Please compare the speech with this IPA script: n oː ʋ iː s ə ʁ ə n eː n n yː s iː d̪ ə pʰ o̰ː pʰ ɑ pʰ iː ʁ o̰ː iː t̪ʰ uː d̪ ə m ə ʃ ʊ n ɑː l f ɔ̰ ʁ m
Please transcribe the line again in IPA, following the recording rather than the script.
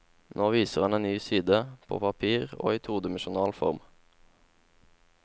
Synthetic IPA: n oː ʋ iː s ə ʁ ɑ n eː n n yː s iː d̪ ə pʰ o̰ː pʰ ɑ pʰ iː ʁ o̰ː iː t̪ʰ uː d̪ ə m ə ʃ ʊ n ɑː l f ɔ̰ ʁ m